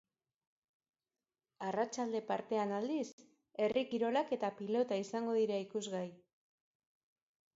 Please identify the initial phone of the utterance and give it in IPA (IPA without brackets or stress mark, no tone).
a